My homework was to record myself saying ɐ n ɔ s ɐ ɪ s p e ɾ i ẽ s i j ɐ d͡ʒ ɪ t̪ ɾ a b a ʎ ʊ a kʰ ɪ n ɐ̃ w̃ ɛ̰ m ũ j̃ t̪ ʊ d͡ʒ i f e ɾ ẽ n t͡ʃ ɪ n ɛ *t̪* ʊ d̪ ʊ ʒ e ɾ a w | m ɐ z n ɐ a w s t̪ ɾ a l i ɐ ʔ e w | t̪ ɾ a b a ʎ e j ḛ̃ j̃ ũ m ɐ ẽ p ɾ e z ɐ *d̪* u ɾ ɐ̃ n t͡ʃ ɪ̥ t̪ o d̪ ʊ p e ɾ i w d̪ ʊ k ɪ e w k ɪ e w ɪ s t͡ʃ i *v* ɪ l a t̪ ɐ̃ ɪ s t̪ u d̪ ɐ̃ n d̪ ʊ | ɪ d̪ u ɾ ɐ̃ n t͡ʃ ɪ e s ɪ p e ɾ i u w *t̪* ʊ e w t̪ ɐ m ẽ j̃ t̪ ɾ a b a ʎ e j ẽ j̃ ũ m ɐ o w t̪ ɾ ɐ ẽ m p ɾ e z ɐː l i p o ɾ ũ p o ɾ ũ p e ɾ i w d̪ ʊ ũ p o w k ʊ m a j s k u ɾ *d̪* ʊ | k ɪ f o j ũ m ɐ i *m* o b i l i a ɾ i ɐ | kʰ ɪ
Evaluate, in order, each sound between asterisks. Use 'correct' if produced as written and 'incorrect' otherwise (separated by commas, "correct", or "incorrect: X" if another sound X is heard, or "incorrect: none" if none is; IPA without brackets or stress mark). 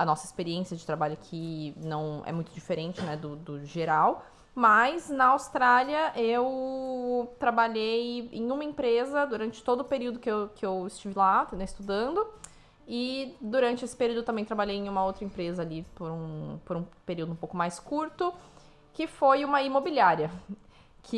incorrect: d̪, correct, correct, incorrect: d̪, incorrect: t̪, correct